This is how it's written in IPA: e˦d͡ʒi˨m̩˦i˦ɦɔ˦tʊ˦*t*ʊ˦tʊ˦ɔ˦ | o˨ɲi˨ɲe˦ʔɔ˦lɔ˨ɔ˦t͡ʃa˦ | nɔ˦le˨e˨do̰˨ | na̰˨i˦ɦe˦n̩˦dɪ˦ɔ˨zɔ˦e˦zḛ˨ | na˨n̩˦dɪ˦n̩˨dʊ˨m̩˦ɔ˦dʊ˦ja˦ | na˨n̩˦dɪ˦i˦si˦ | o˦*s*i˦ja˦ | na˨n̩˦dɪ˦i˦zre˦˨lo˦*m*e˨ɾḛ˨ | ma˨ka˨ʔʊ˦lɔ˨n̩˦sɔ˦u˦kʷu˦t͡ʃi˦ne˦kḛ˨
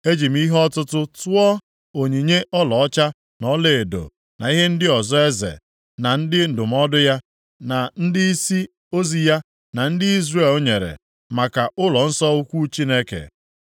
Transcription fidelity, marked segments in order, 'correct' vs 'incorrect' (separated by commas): correct, incorrect, incorrect